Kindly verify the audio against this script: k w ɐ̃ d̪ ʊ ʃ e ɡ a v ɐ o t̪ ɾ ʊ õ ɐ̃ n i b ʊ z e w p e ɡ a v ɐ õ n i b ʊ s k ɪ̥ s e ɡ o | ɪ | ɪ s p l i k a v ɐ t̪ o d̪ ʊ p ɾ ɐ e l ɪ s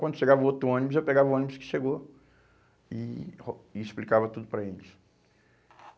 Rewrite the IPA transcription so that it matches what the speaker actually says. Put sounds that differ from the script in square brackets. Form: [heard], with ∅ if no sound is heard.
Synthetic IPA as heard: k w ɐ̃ d̪ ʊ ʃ e ɡ a v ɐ o t̪ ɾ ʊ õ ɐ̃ n i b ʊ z e w p e ɡ a v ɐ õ n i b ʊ s k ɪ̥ [ʃ] e ɡ o | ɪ | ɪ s p l i k a v ɐ t̪ [u] d̪ ʊ p ɾ ɐ e l ɪ s